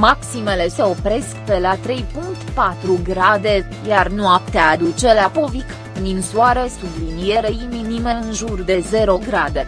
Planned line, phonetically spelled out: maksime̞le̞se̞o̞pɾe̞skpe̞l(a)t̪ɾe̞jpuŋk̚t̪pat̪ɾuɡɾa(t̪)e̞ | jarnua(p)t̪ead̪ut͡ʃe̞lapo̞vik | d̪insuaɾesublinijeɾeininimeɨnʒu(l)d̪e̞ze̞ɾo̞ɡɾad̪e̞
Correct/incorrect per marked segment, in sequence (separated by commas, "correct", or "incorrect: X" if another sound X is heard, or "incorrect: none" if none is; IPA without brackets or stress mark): correct, incorrect: d̪, correct, incorrect: r